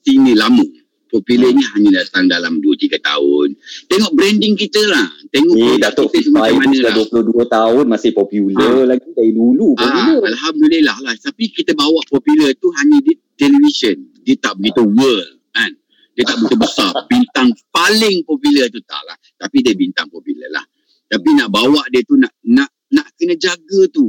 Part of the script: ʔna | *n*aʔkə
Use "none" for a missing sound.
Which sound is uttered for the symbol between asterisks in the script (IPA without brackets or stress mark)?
n